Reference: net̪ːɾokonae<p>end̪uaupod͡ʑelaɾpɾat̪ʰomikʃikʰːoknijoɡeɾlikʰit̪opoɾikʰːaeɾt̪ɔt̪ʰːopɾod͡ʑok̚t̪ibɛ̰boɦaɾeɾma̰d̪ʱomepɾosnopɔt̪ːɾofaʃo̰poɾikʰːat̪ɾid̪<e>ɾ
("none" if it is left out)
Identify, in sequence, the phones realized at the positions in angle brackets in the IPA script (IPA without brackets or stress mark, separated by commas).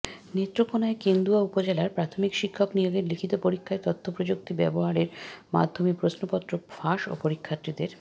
k, e